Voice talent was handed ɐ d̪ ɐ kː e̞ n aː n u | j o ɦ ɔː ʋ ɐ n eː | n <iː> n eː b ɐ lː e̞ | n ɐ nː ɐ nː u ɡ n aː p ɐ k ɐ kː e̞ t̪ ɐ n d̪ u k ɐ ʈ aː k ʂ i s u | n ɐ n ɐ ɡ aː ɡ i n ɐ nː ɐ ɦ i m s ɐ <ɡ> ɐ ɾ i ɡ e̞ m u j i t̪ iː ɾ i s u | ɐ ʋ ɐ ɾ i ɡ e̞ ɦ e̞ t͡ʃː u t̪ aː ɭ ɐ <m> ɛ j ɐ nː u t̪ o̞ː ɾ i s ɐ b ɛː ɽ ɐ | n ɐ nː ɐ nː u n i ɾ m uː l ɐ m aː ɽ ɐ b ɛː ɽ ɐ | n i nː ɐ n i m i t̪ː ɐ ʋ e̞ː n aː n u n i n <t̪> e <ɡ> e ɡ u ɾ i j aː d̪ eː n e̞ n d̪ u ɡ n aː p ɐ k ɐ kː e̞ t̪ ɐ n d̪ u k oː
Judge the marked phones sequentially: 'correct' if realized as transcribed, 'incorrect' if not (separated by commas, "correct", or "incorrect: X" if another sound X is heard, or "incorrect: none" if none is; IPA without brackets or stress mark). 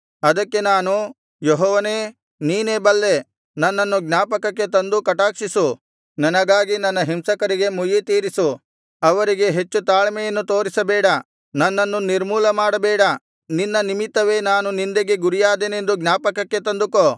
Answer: correct, incorrect: k, correct, incorrect: d̪, correct